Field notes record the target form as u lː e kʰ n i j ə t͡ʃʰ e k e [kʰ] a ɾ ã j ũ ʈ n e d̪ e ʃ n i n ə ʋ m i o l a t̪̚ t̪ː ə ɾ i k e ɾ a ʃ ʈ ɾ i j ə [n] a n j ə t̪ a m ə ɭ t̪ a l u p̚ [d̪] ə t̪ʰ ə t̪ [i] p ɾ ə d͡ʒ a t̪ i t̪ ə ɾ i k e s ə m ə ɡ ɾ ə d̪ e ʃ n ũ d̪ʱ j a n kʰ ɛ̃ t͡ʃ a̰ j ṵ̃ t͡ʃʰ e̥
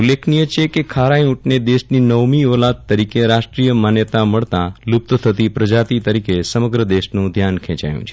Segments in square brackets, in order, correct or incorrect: correct, incorrect, incorrect, correct

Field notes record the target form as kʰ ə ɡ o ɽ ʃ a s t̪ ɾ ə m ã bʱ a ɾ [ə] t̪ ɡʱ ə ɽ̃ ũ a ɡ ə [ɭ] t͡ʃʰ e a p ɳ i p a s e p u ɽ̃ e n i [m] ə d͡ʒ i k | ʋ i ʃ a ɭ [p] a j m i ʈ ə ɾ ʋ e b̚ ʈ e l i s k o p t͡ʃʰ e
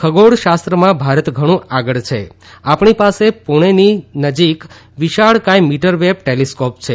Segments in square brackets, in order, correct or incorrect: correct, correct, incorrect, incorrect

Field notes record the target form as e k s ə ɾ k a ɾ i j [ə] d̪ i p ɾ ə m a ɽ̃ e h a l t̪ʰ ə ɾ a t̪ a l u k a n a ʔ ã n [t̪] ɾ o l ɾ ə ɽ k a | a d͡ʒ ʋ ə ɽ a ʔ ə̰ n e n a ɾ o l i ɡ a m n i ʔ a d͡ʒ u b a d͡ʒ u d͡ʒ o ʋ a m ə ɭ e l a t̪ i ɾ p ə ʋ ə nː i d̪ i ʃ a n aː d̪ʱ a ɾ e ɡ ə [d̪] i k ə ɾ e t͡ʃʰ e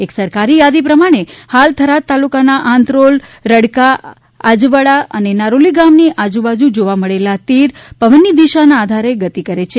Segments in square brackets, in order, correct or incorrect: incorrect, correct, incorrect

